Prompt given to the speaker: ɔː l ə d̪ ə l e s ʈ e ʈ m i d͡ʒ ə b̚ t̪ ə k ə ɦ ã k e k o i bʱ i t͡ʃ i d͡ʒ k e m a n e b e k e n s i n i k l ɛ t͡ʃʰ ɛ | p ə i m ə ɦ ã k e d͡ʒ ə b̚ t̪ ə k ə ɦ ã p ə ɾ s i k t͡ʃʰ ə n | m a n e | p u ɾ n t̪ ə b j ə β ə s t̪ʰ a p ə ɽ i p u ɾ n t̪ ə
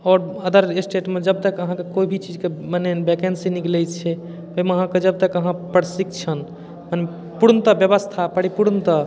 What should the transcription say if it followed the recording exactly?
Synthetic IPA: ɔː ɾ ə d̪ ə ɾ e s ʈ e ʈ m e d͡ʒ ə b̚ t̪ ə k ə ɦ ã k e k o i bʱ i t͡ʃ i d͡ʒ k e m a n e b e k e n s i n i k l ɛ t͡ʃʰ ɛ | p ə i m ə ɦ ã k e d͡ʒ ə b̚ t̪ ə k ə ɦ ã p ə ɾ s i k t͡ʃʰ ə n | m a n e | p u ɾ n t̪ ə b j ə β ə s t̪ʰ a p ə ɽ i p u ɾ n t̪ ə

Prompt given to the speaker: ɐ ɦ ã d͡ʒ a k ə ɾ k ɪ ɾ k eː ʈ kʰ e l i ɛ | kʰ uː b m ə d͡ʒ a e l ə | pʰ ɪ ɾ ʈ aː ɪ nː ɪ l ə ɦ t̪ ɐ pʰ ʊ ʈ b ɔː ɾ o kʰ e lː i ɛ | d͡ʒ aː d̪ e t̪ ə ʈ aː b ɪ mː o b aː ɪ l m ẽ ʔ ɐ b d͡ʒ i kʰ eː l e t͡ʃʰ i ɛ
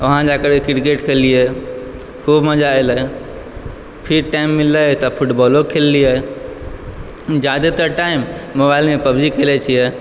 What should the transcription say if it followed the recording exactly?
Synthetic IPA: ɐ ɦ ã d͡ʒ a k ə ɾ k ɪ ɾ k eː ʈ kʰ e l i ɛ | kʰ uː b m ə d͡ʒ a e l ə | pʰ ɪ ɾ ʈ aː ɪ mː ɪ l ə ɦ t̪ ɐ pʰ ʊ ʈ b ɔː l o kʰ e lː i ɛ | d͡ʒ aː d̪ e t̪ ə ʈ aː ɪ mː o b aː ɪ l m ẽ p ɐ b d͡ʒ i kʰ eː l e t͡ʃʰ i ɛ

